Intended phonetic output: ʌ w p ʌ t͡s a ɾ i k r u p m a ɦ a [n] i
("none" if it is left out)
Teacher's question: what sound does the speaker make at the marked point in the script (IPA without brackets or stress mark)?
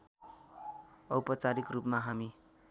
m